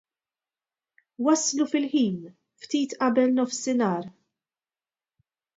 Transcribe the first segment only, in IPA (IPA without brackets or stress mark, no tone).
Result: w